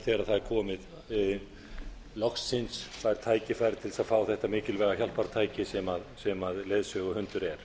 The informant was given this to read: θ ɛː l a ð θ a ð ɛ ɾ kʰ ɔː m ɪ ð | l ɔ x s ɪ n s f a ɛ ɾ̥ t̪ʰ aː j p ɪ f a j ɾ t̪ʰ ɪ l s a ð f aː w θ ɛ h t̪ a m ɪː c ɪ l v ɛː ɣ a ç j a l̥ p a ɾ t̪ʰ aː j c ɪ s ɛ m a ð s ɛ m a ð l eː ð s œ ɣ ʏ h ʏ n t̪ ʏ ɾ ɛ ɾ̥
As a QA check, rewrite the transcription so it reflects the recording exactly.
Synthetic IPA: θ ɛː ɾ a ð θ a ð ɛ ɾ kʰ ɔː m ɪ ð | l ɔ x s ɪ n s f a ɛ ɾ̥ t̪ʰ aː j c ɪ f a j ɾ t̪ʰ ɪ l s a ð f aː w θ ɛ h t̪ a m ɪː c ɪ l v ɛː ɣ a ç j a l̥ p a ɾ t̪ʰ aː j c ɪ s ɛ m a ð s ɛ m a ð l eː ð s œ ɣ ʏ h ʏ n t̪ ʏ ɾ ɛ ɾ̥